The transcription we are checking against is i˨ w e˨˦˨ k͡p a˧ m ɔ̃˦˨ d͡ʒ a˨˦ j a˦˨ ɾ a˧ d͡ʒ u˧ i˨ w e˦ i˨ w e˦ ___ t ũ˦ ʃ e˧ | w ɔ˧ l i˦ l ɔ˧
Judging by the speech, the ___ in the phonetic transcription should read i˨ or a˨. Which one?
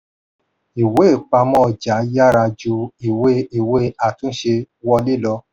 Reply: a˨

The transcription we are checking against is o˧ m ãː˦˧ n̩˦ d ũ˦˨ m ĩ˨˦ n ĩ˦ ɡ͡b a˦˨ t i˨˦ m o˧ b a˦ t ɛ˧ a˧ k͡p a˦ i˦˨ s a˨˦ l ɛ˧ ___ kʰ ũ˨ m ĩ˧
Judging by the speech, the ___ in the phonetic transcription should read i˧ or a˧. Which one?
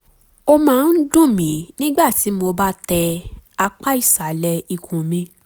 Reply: i˧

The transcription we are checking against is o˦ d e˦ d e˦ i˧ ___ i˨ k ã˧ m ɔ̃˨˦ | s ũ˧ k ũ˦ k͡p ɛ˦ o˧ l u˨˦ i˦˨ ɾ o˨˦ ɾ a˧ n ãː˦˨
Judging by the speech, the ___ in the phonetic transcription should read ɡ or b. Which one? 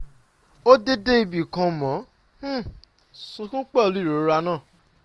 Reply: b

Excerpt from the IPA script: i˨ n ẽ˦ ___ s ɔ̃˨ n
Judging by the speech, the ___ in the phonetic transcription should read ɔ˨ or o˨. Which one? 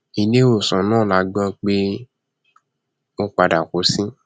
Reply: o˨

